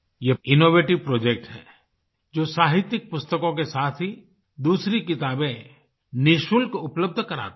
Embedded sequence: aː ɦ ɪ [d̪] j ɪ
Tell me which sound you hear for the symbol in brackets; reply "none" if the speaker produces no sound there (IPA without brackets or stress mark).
t̪